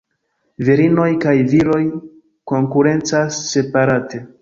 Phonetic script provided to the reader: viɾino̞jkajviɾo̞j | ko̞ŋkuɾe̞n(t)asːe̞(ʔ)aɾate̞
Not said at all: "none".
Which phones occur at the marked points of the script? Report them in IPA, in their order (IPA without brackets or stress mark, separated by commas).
t͡s, p